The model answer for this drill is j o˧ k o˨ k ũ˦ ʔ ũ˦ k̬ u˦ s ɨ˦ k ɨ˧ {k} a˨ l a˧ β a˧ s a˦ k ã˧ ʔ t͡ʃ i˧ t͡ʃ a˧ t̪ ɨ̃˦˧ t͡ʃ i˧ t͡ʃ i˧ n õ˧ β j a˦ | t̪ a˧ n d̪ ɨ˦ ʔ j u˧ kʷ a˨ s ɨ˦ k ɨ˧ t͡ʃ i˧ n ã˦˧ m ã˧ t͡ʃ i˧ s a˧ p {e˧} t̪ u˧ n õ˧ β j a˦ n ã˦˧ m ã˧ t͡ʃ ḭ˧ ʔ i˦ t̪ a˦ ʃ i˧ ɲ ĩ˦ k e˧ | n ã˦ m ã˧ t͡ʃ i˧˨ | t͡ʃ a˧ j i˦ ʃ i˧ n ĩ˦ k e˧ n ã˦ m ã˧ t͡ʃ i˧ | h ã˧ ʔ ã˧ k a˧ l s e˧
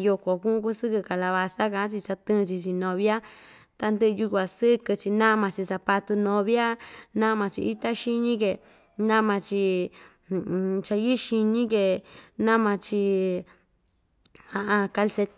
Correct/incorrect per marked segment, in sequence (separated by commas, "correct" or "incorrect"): correct, incorrect